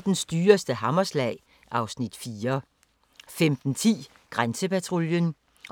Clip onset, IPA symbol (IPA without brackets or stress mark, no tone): d̥